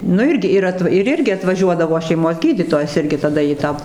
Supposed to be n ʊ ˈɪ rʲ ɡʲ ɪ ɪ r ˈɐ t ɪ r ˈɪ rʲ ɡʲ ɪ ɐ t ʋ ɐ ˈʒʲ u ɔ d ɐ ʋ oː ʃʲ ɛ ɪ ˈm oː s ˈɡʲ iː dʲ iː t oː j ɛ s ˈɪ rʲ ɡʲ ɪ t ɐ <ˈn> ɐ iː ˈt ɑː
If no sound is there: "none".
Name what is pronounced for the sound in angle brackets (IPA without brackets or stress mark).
d